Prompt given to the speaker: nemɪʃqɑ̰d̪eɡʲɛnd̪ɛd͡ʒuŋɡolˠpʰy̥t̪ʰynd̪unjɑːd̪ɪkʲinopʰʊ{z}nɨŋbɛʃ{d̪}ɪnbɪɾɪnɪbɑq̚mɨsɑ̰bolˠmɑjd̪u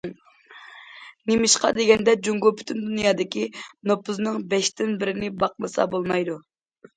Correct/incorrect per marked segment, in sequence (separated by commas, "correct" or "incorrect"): correct, incorrect